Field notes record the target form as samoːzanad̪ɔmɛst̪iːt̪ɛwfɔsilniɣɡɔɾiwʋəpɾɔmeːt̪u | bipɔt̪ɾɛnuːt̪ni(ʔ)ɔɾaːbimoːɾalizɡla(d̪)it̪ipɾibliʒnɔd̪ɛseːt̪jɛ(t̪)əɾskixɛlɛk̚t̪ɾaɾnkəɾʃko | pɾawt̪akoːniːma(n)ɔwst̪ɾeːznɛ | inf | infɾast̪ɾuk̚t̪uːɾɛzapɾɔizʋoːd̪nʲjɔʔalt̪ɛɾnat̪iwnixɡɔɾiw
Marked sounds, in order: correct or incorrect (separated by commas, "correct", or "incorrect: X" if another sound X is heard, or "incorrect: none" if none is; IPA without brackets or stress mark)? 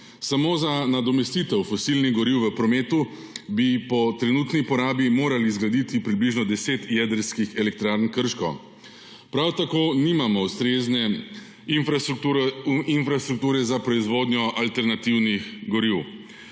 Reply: incorrect: p, correct, incorrect: d̪, incorrect: m